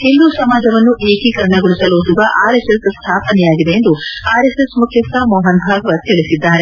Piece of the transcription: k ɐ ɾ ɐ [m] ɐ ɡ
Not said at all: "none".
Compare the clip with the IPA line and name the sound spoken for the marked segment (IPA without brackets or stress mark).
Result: ɳ